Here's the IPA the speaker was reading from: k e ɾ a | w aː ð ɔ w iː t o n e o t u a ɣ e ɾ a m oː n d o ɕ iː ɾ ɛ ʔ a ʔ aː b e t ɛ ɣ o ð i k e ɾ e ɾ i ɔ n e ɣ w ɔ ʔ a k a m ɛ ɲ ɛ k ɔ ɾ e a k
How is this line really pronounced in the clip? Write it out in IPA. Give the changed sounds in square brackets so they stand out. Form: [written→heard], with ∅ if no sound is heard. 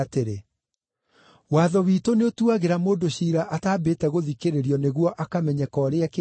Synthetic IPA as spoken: [k→t] e ɾ [a→e] | w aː ð ɔ w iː t o n e o t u a ɣ e ɾ a m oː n d o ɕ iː ɾ [ɛ→a] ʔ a [ʔ→t] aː b e t ɛ ɣ o ð i k e ɾ e ɾ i ɔ n e ɣ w ɔ ʔ a k a m ɛ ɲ ɛ k ɔ ɾ e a k